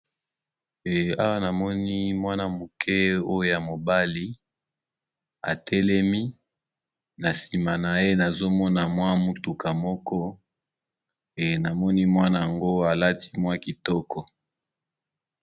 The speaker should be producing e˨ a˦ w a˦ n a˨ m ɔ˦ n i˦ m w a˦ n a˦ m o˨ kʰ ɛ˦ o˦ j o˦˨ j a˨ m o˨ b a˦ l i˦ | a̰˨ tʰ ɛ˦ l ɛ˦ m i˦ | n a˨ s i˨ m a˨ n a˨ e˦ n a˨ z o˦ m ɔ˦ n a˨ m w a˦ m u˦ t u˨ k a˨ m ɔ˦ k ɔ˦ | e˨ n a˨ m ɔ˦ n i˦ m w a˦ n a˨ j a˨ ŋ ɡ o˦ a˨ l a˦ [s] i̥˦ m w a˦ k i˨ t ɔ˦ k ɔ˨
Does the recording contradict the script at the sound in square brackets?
yes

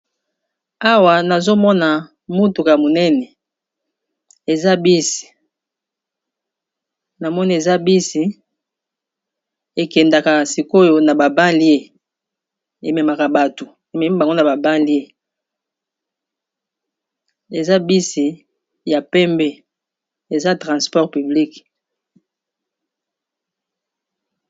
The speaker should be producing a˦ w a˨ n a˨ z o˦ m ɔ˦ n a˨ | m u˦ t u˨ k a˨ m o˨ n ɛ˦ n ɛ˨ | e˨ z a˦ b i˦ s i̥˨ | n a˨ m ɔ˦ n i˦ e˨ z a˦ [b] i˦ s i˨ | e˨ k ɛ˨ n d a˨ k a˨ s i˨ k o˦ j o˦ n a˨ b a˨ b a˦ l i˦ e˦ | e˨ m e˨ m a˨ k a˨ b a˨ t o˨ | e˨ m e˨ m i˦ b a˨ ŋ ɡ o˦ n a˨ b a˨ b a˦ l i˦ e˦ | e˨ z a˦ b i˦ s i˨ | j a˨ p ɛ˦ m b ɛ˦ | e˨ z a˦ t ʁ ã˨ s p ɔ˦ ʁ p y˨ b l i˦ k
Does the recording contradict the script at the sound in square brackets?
no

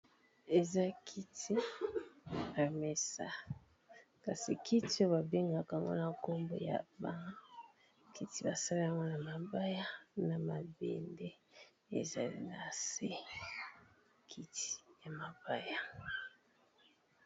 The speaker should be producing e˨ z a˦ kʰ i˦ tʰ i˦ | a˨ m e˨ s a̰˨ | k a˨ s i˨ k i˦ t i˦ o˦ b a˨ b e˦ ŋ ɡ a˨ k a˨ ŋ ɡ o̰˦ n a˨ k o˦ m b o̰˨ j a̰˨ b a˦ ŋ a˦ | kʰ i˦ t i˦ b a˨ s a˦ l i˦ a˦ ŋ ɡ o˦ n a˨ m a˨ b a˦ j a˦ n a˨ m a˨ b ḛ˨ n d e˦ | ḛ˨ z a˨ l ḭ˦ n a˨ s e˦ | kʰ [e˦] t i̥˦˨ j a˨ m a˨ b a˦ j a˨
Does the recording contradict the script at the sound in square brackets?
yes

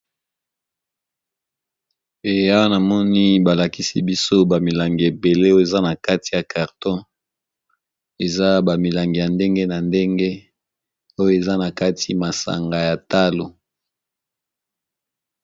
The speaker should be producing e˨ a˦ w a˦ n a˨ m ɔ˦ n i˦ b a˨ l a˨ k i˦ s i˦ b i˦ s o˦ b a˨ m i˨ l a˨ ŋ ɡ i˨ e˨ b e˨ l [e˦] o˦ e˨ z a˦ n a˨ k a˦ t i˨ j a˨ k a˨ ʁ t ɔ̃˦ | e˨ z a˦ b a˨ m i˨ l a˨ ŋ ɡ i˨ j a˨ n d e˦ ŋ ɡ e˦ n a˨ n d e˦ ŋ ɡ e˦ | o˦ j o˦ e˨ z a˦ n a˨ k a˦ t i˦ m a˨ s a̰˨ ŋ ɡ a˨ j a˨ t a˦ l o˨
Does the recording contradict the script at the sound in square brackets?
no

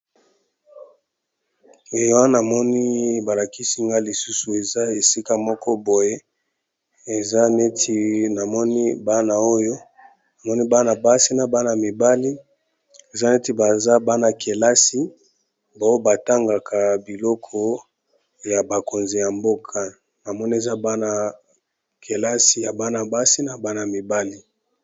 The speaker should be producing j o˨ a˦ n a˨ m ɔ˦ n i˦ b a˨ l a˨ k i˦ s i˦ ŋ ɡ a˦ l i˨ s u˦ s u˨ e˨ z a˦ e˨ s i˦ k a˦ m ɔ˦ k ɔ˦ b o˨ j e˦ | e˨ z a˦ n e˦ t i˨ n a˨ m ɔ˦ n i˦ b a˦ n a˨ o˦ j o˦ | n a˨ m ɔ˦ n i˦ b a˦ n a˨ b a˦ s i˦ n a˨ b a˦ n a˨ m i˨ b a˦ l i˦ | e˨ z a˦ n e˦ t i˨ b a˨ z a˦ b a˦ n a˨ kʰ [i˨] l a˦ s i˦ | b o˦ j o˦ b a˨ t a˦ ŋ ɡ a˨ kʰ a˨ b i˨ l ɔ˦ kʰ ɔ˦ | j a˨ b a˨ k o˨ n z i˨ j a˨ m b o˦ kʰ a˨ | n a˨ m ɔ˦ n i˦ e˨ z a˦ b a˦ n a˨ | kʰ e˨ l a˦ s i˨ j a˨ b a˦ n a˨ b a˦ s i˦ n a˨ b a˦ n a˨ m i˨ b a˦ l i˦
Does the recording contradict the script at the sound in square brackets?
yes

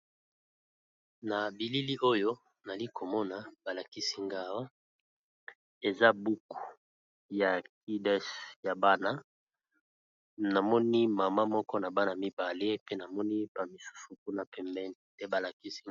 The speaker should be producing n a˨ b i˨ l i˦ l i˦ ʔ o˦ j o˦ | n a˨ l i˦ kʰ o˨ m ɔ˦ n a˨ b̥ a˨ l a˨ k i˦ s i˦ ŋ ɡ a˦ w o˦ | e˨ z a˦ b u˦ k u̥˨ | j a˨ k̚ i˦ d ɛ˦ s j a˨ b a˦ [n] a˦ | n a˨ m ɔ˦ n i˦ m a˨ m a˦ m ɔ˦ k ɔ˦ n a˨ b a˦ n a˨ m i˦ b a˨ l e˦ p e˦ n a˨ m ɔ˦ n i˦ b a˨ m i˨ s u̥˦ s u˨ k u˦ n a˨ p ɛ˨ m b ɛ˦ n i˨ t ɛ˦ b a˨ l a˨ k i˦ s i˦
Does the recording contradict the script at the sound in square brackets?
no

